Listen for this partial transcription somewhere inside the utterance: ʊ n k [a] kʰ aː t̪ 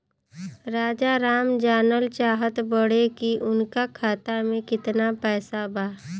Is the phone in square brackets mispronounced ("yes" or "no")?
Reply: no